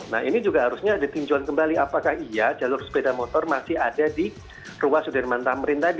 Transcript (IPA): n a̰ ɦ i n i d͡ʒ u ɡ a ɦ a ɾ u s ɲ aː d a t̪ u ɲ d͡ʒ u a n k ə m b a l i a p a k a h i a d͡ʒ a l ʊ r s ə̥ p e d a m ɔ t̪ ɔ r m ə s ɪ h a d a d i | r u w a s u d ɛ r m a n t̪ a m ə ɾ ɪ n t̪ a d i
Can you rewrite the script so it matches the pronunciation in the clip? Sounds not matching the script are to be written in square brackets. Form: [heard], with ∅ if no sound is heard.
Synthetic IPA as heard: n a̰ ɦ i n i d͡ʒ u ɡ a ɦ a ɾ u s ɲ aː d a t̪ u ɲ d͡ʒ u a n k ə m b a l i a p a k a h i a d͡ʒ a l ʊ r s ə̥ p e d a m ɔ t̪ ɔ r m [a] s ɪ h a d a d i | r u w a s u d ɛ r m a n t̪ a m ə ɾ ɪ n t̪ a d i